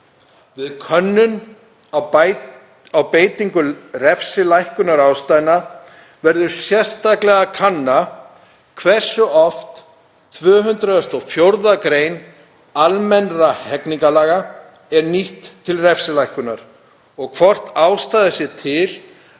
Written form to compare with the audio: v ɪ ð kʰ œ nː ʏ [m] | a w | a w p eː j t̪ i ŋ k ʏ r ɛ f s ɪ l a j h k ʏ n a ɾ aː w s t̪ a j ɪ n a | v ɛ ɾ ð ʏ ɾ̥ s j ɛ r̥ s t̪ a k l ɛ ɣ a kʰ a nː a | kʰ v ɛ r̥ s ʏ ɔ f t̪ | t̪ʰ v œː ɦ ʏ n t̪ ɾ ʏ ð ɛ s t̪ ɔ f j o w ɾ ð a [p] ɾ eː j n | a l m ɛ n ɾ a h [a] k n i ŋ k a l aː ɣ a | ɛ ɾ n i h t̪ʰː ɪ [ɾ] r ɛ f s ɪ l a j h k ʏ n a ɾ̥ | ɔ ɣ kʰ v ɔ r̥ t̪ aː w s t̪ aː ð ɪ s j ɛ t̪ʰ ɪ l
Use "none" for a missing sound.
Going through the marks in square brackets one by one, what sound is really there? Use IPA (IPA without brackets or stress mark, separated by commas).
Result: n, k, ɛ, l